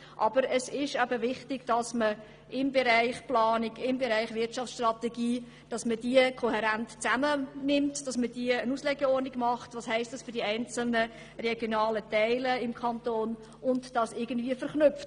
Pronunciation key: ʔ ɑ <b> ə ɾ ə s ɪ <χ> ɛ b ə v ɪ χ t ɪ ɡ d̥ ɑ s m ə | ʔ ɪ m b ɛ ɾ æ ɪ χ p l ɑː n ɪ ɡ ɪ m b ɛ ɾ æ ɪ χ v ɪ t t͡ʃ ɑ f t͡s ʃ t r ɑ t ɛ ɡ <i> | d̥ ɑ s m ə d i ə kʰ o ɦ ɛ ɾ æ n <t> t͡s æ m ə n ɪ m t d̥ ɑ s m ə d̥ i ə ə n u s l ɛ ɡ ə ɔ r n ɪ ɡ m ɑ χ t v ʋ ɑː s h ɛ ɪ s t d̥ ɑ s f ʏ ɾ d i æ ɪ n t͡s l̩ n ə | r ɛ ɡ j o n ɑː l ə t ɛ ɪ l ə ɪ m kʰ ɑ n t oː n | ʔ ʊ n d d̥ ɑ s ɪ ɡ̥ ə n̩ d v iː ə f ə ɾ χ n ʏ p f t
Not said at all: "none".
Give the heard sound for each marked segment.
b, ʃ, iː, t

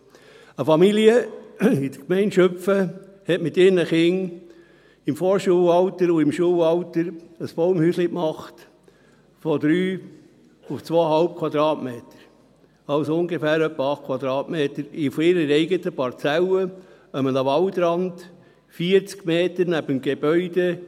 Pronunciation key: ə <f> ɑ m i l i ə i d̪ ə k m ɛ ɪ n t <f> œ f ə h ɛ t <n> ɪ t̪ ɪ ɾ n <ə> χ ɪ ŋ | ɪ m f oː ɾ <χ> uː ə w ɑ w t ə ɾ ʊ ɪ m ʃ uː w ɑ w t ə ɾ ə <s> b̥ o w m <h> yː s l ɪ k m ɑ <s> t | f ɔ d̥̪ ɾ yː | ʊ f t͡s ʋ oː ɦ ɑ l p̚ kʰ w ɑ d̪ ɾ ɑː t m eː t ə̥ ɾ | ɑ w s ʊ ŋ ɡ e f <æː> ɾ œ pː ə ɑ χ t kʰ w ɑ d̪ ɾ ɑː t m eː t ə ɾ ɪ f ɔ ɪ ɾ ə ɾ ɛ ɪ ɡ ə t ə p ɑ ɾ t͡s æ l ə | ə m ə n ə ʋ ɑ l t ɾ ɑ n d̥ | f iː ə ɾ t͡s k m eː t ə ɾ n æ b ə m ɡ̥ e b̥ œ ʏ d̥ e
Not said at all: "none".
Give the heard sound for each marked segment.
f, ʃ, m, ə, ʃ, s, h, χ, æː

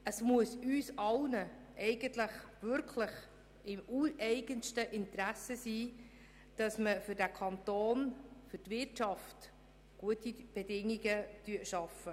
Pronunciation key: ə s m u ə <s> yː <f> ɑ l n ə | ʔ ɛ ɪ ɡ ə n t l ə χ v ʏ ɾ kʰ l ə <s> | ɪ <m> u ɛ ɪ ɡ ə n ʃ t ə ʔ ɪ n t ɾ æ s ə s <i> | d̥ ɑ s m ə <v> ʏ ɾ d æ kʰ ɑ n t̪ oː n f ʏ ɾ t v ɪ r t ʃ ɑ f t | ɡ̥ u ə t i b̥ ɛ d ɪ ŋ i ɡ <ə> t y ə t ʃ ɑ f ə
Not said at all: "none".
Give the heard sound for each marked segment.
s, s, χ, m, iː, f, ə

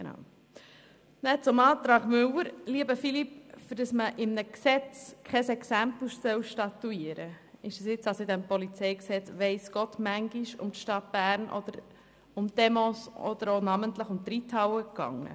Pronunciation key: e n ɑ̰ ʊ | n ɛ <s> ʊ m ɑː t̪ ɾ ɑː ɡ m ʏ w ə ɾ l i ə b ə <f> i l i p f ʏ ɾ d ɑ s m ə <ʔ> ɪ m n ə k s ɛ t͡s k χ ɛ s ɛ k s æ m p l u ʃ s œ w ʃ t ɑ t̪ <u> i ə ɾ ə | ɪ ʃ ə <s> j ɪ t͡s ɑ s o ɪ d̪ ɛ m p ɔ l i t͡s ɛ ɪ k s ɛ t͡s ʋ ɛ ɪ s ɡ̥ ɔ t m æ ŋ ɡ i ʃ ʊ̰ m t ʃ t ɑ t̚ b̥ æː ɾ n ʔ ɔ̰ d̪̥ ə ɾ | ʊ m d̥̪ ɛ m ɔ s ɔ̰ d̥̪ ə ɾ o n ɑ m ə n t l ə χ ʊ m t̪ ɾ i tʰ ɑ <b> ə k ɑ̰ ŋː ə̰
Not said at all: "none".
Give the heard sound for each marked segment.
t͡s, f, ʔ, u, s, w

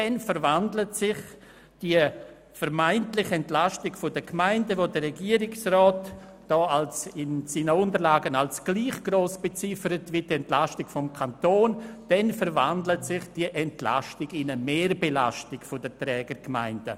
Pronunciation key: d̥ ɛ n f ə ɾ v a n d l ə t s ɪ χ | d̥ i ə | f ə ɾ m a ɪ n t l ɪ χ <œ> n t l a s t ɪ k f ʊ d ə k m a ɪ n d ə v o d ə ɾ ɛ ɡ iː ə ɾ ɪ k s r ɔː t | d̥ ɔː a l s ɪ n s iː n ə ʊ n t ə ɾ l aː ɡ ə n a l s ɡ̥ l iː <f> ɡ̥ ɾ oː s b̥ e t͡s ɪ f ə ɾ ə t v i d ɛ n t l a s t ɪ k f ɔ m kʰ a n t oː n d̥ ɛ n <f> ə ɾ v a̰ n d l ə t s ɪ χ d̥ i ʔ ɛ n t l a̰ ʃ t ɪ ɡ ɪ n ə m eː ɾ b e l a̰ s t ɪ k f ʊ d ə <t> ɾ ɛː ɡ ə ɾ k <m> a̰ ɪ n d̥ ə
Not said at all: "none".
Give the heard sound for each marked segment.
ɛ, χ, f, t, m

